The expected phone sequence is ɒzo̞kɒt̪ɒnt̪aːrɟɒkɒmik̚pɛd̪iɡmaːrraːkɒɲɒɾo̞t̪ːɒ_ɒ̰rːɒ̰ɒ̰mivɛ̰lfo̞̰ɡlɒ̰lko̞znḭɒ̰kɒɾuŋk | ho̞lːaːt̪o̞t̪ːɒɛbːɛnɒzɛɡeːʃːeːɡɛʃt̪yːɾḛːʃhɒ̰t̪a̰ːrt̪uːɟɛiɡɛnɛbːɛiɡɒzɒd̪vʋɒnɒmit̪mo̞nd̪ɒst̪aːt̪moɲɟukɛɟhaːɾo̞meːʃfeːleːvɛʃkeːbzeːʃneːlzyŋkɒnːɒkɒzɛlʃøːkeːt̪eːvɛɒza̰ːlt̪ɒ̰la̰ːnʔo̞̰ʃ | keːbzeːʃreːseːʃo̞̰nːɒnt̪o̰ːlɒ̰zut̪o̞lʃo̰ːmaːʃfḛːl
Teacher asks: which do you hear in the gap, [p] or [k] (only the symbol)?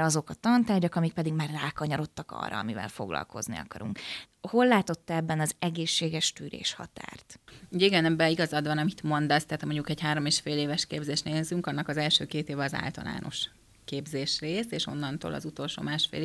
k